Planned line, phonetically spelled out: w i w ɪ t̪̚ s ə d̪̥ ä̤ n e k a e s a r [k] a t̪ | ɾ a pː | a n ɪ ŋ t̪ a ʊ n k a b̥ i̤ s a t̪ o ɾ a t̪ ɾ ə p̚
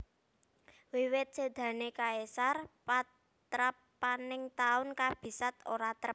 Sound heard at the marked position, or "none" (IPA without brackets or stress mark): p